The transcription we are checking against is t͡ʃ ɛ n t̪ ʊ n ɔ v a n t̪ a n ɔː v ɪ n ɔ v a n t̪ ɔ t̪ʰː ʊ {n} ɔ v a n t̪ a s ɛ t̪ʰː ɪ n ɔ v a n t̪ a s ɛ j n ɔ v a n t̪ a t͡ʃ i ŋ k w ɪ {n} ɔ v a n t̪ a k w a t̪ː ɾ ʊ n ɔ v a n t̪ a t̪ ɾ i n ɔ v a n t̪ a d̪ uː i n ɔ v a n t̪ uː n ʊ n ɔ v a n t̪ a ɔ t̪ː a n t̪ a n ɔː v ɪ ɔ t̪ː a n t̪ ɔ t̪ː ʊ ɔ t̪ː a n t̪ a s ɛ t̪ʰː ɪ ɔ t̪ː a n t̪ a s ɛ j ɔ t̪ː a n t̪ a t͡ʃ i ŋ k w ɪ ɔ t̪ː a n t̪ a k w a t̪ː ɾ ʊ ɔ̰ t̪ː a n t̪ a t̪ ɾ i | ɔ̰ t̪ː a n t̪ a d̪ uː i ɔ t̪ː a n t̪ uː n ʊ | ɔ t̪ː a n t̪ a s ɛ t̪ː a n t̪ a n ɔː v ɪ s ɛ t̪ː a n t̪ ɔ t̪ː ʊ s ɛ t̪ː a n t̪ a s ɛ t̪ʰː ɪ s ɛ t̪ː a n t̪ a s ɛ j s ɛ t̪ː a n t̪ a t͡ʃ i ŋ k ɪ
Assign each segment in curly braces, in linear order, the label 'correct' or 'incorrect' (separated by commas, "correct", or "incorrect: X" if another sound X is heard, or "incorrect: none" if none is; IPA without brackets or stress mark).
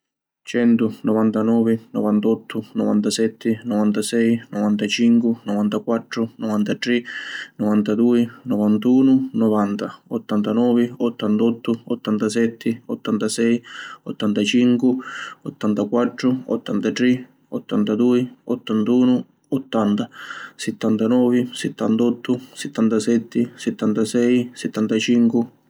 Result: correct, correct